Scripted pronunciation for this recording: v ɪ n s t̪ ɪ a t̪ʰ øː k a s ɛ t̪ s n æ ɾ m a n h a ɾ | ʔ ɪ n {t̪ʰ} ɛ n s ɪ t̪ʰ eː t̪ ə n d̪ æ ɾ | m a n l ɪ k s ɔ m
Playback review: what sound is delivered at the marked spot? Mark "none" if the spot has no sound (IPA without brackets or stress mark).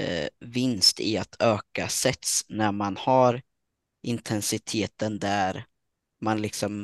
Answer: t̪ʰ